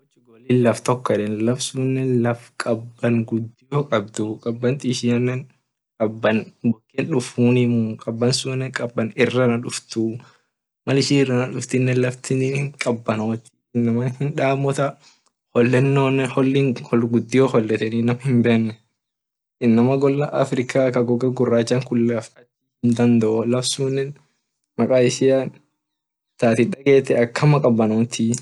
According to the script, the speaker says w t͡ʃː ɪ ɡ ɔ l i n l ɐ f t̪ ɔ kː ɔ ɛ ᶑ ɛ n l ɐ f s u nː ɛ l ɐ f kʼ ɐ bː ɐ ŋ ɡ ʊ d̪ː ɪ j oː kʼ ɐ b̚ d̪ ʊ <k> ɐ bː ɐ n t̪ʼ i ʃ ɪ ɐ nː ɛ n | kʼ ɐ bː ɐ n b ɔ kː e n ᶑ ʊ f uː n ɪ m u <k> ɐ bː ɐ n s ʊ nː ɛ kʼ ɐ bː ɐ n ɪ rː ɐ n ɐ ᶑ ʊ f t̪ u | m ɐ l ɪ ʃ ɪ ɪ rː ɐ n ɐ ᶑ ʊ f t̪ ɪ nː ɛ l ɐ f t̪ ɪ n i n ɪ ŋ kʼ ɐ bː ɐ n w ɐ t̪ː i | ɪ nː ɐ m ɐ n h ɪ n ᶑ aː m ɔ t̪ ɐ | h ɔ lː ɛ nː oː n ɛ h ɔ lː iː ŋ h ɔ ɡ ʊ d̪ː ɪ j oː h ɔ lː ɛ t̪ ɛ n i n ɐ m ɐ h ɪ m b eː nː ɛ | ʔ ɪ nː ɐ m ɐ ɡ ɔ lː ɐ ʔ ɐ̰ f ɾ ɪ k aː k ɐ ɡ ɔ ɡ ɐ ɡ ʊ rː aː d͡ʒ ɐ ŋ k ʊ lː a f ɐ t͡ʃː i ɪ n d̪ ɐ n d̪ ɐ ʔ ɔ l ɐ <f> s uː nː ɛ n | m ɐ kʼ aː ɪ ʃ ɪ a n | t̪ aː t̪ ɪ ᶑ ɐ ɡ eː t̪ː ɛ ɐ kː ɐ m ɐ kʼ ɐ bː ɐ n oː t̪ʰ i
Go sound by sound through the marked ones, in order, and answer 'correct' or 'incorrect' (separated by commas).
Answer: incorrect, incorrect, correct